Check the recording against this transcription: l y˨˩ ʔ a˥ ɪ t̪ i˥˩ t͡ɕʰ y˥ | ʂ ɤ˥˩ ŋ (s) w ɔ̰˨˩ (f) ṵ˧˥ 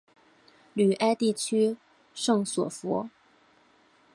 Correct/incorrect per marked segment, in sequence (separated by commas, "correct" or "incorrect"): correct, correct